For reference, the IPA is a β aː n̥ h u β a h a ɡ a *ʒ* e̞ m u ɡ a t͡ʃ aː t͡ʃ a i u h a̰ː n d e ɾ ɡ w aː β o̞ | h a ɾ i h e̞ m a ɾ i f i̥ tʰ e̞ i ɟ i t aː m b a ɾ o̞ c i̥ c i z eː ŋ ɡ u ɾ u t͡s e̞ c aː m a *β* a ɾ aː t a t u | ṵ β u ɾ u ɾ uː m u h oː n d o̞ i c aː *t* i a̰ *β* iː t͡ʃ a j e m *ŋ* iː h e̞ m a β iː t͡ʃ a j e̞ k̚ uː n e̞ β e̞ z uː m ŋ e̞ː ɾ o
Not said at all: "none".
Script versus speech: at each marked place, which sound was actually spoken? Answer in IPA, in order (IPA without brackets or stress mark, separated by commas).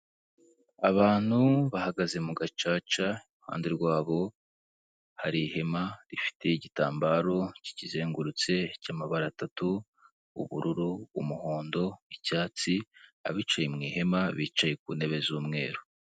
z, β, t͡s, β, ŋ